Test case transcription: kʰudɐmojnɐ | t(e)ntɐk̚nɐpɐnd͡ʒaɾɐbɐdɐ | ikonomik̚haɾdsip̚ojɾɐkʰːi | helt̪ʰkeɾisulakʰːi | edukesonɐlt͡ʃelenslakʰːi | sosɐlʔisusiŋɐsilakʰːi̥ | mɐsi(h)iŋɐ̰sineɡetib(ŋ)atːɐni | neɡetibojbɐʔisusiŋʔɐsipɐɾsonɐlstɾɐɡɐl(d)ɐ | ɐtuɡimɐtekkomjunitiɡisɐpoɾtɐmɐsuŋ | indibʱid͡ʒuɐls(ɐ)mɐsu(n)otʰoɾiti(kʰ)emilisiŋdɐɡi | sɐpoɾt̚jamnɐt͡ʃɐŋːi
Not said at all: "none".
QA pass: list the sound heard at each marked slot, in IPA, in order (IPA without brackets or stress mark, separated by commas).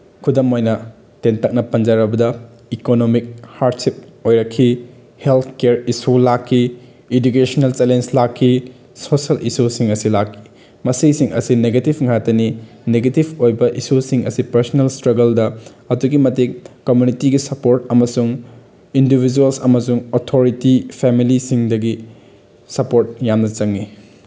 e, s, ŋ, d, ɐ, ŋ, pʰ